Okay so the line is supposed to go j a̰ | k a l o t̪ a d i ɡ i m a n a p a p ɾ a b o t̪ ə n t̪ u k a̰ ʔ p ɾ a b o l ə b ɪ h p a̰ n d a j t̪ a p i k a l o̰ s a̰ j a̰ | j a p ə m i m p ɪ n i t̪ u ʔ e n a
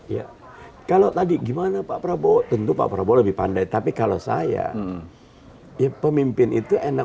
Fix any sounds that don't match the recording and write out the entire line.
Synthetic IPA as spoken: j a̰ | k a l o t̪ a d i ɡ i m a n a p a p ɾ a b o t̪ ə n t̪ u p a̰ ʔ p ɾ a b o l ə b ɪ h p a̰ n d a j t̪ a p i k a l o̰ s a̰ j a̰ | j a p ə m i m p ɪ n i t̪ u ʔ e n a